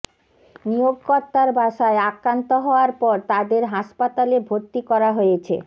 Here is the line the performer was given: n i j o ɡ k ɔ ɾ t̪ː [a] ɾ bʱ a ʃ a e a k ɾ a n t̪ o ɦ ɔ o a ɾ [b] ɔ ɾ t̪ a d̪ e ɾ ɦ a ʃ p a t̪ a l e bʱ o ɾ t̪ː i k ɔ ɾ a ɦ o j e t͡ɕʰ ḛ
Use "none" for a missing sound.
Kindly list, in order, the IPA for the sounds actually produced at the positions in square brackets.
a, p

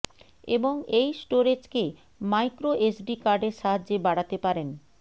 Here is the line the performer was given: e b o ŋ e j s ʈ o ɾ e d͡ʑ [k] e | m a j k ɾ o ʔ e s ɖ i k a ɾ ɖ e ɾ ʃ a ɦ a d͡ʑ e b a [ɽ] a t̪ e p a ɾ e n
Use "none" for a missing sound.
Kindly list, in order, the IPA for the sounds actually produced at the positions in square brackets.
k, ɽ

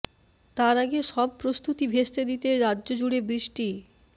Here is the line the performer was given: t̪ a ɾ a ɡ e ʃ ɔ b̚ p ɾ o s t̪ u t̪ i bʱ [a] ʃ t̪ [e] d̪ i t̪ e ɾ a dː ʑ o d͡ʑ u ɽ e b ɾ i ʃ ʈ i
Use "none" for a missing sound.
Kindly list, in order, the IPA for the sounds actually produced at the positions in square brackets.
e, e

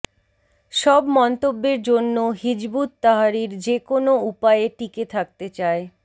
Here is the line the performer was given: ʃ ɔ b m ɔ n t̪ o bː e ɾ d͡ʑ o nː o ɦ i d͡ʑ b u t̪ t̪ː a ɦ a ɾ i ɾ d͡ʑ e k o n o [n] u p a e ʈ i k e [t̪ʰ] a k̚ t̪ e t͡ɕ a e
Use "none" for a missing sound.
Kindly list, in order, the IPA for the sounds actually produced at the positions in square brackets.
none, t̪ʰ

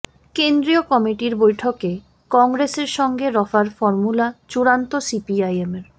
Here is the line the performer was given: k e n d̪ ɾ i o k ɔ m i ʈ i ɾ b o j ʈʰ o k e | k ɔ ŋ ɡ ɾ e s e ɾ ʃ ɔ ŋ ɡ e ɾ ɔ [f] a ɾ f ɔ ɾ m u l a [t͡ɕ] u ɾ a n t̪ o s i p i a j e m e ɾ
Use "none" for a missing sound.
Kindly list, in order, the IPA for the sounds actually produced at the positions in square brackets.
f, t͡ɕ

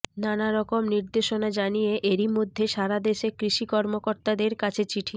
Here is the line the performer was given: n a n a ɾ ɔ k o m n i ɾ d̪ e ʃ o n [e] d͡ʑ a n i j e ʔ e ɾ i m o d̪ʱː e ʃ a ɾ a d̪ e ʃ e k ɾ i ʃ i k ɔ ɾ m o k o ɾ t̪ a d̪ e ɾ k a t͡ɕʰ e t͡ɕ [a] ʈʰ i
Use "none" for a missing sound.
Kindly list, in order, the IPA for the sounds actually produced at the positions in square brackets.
a, i

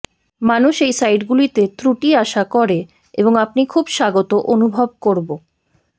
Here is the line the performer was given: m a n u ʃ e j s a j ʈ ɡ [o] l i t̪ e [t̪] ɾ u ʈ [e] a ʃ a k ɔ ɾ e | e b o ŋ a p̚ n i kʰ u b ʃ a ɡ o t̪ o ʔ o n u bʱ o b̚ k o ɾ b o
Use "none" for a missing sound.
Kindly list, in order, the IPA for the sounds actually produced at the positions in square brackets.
u, t̪, i

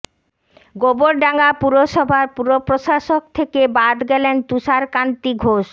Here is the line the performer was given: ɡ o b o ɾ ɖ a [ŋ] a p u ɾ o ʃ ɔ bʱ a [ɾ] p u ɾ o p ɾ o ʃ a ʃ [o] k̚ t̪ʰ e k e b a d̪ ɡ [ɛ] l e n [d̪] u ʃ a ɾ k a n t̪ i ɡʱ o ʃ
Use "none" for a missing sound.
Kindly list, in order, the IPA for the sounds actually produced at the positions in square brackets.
ŋ, ɾ, o, ɛ, t̪

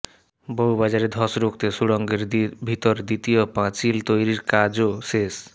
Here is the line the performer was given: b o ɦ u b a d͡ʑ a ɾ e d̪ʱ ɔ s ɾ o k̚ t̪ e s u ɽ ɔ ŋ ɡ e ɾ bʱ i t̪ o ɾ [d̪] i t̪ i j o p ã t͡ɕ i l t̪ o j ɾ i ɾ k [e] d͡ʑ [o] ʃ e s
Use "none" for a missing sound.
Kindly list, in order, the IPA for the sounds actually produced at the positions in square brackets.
d̪, a, o

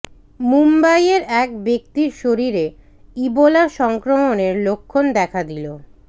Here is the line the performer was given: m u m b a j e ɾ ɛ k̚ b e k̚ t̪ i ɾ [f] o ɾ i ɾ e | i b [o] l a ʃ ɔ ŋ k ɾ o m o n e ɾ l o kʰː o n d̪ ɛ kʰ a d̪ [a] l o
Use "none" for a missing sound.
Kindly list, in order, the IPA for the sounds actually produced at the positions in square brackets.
ʃ, o, i

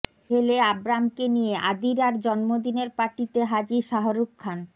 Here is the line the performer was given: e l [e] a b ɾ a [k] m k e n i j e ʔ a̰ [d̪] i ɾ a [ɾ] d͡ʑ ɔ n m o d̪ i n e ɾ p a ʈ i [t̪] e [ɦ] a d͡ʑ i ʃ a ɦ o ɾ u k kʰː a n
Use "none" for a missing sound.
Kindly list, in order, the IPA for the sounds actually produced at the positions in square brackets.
e, none, d̪, ɾ, t̪, ɦ

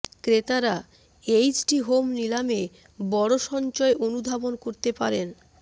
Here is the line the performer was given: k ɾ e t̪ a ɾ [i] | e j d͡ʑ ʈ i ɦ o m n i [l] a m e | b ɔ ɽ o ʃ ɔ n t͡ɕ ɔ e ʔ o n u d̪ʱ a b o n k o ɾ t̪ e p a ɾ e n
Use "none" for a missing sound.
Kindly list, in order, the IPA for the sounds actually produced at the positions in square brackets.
a, l

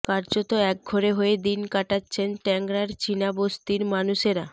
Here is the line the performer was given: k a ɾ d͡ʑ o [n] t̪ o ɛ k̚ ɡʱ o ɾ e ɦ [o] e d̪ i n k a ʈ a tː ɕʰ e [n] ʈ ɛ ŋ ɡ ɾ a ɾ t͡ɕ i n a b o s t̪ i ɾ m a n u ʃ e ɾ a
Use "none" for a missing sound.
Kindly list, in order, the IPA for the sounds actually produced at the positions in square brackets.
none, o, n

